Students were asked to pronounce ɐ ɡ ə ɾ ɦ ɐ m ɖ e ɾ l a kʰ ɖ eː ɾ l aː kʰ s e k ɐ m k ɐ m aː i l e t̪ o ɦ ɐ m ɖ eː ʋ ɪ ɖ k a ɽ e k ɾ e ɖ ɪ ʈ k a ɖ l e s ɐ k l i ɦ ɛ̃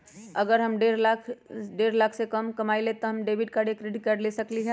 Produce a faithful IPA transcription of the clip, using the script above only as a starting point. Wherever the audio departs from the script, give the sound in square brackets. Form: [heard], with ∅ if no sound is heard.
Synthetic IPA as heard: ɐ ɡ ə ɾ ɦ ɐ m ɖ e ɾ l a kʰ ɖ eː ɾ l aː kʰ s e k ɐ m k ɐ m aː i l e t̪ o ɦ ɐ m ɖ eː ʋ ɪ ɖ k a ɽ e k ɾ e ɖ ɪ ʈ k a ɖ l e s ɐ k l i ɦ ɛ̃